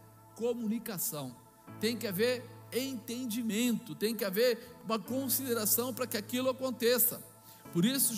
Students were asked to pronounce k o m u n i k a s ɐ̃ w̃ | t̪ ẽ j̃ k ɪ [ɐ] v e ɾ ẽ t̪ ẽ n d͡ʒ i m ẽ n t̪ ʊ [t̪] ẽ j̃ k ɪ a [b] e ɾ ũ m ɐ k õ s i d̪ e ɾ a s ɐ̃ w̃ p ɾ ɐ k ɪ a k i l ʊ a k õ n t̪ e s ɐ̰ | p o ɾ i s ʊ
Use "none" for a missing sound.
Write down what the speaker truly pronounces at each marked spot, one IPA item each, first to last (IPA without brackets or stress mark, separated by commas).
a, t̪, v